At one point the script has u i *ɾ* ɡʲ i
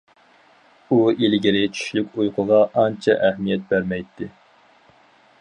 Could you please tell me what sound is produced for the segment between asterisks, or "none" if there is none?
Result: l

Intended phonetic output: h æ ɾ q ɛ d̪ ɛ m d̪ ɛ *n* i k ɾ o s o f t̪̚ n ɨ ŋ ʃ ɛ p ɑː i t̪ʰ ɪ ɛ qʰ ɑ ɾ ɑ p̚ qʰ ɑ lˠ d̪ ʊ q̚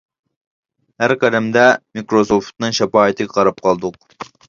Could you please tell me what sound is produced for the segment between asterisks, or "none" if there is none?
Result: m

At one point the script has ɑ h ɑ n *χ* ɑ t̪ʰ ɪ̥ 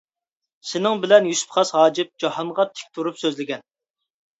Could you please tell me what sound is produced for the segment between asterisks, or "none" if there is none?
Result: ʁ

